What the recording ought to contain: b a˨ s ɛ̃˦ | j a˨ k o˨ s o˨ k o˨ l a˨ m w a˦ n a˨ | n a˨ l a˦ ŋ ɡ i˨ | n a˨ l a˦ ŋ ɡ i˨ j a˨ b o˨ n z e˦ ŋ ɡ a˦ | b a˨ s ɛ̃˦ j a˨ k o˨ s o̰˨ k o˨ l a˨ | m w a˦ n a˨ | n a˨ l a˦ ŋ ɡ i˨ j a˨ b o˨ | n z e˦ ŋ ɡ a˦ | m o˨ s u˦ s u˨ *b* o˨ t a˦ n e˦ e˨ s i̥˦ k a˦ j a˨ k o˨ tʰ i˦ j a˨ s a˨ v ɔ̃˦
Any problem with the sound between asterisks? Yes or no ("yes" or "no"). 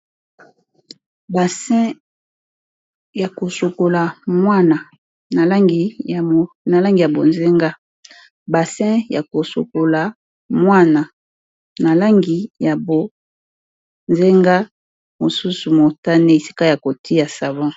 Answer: yes